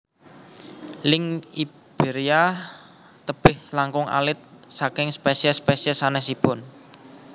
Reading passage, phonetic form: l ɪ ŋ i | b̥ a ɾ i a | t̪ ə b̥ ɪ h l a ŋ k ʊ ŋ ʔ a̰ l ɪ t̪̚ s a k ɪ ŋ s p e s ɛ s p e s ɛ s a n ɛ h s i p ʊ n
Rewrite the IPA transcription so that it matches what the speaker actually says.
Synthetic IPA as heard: l ɪ ŋ i | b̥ e ɾ i a | t̪ ə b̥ ɪ h l a ŋ k ʊ ŋ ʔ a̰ l ɪ t̪̚ s a k ɪ ŋ s p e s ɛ s p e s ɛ s a n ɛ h s i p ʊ n